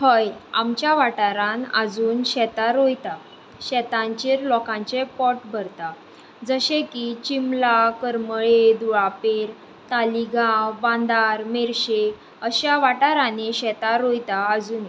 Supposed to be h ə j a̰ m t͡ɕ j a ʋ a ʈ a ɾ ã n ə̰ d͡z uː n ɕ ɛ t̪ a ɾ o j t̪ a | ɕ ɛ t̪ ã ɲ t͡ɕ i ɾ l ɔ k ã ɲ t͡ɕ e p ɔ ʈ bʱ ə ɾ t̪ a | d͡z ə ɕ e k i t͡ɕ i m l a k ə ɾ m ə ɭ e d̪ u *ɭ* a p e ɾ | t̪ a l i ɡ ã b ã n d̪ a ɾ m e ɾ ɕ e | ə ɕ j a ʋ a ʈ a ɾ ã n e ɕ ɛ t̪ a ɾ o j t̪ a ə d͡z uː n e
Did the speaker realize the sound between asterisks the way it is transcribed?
yes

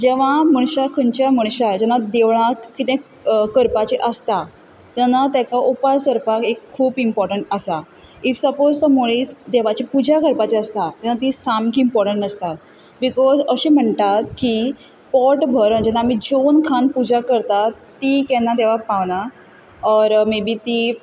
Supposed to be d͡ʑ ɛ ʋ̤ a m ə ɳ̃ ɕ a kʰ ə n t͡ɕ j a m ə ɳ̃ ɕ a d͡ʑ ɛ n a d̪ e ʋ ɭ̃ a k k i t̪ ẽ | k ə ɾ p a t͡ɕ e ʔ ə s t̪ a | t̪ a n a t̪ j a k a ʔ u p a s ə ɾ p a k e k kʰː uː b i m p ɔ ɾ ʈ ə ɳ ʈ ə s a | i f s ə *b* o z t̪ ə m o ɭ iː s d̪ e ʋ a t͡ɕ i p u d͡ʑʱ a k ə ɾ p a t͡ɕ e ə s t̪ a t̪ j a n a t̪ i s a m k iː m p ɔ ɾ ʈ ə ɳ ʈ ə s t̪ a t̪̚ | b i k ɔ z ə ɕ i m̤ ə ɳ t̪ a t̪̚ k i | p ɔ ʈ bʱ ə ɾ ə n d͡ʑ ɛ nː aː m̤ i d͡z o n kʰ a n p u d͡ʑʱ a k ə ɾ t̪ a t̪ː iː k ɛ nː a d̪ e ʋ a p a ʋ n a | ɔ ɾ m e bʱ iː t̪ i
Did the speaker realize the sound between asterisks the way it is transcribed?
no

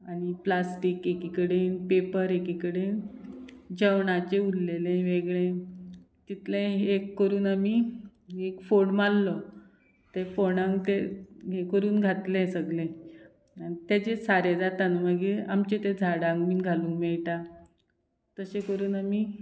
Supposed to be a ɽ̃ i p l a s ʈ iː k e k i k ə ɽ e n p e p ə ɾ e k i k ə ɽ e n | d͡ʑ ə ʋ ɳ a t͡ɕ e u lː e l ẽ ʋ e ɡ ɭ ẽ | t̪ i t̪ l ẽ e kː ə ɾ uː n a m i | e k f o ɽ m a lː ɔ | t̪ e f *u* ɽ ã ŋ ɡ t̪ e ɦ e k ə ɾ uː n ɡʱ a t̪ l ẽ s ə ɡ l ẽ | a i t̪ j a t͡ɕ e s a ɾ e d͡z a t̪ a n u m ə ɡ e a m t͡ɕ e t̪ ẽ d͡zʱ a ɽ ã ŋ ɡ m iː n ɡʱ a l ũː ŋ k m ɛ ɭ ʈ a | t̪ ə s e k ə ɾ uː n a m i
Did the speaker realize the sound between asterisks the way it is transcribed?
no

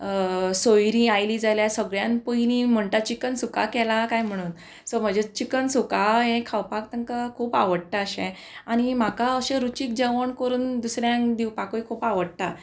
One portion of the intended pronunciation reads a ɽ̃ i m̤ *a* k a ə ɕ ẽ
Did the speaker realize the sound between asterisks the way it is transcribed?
yes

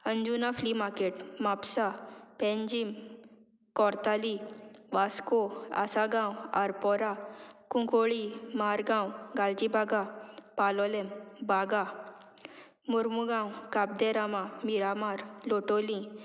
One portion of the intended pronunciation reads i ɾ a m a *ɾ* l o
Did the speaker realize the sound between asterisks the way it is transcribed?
yes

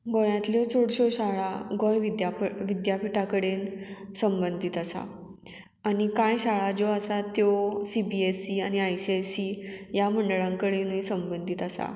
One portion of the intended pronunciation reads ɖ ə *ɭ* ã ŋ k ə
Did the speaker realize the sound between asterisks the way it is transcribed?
yes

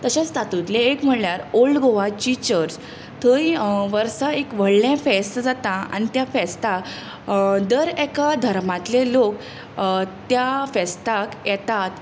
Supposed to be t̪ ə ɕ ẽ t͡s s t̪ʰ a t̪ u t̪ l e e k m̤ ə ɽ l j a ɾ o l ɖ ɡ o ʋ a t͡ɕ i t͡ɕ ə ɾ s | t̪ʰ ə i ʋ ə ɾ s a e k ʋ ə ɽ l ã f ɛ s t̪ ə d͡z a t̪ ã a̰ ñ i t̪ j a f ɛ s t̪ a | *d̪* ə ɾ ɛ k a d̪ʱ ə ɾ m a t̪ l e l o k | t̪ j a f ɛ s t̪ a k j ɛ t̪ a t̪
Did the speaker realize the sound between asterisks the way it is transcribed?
yes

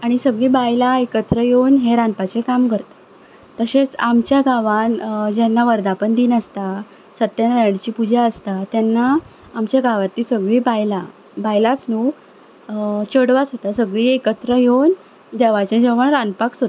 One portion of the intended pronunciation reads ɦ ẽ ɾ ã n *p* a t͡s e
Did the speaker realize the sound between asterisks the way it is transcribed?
yes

